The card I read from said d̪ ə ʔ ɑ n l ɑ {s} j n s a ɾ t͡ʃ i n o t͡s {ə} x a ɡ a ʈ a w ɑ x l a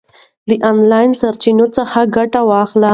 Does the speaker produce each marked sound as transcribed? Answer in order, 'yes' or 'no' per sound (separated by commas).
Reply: no, yes